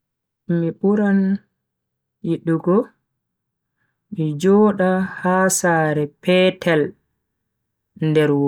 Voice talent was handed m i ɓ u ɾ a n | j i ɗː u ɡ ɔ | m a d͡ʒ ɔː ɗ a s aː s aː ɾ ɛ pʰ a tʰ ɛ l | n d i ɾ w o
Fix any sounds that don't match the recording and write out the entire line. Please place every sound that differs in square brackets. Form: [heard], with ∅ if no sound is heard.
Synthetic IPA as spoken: m i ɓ u ɾ a n | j i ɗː u ɡ ɔ | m [i] d͡ʒ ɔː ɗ a [h] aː s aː ɾ ɛ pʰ [ɛ] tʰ ɛ l | n d [ɛ] ɾ w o